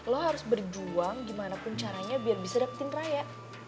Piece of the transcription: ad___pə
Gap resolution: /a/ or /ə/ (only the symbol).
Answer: a